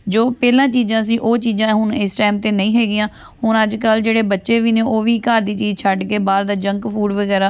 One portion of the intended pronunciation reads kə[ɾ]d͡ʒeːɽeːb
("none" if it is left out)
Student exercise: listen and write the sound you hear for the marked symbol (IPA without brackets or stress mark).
l